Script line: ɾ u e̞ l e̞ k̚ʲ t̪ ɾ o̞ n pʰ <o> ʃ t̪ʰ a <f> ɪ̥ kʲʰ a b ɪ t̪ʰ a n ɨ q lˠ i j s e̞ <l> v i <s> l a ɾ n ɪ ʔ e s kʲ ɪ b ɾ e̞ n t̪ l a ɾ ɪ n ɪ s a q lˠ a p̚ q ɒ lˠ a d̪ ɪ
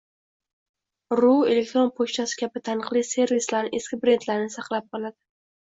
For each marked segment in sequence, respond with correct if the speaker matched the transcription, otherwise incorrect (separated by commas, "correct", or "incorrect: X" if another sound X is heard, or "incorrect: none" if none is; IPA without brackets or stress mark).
correct, incorrect: s, incorrect: ɾ, correct